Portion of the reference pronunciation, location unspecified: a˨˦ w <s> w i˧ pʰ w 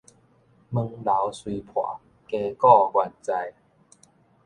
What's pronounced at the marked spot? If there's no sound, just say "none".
s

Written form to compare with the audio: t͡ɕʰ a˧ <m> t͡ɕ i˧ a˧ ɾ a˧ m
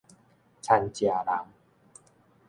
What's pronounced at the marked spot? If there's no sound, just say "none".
n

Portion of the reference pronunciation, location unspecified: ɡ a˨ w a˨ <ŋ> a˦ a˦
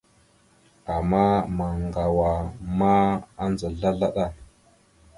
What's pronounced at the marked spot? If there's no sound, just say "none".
m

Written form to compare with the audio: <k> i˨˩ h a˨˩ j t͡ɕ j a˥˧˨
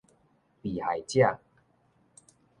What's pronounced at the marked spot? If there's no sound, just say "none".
p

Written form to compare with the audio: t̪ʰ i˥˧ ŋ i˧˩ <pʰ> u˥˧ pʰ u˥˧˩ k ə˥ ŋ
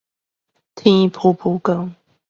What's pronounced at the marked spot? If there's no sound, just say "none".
pʰ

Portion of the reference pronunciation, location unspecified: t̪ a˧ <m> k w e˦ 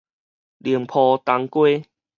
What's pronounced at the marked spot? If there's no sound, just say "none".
ŋ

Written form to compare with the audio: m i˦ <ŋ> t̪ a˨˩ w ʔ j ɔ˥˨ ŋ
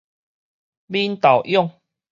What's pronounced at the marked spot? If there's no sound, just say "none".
n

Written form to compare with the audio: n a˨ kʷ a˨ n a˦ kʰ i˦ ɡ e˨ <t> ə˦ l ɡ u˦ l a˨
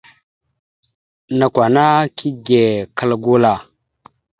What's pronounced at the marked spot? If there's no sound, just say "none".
k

